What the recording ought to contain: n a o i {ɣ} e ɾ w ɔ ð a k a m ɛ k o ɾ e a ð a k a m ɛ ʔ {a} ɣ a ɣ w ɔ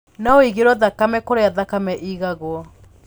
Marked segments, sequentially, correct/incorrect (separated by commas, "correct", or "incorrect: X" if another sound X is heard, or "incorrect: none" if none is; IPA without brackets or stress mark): correct, incorrect: i